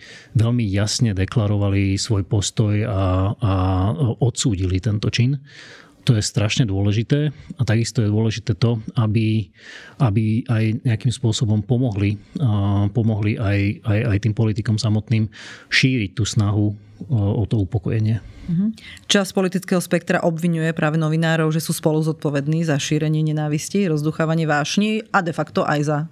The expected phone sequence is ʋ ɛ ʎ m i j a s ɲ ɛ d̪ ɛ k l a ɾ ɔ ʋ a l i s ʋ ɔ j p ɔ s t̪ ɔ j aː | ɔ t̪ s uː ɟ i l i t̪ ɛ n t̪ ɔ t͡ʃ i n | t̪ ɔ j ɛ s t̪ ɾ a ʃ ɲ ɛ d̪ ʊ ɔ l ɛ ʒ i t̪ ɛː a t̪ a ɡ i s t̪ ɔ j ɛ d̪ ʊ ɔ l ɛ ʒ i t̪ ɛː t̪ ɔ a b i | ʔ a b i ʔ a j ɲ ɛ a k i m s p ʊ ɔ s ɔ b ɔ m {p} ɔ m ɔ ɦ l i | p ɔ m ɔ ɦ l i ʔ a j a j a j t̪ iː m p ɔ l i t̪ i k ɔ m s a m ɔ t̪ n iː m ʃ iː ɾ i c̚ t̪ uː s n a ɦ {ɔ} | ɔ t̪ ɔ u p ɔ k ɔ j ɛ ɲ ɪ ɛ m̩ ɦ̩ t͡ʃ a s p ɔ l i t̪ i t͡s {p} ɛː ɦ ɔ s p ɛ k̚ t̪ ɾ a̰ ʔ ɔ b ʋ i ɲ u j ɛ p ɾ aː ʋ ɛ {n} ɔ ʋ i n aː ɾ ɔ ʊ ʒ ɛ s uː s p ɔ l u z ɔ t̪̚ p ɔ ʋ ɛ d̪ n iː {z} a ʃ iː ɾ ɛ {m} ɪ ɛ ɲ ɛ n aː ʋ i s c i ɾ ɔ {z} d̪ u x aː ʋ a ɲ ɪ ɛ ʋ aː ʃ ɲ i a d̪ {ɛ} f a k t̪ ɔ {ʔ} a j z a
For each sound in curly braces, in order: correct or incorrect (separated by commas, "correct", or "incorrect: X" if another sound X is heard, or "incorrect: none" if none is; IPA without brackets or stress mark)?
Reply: correct, incorrect: u, incorrect: k, correct, correct, incorrect: ɲ, correct, correct, correct